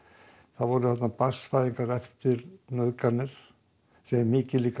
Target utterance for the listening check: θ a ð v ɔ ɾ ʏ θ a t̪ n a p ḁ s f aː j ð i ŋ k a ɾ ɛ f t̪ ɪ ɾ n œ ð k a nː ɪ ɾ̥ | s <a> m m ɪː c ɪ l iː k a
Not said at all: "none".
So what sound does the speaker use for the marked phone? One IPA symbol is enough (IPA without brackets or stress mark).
ɛ